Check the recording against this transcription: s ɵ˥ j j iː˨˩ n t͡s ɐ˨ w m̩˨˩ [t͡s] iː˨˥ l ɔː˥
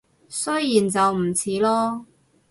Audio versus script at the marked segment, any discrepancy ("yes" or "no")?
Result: yes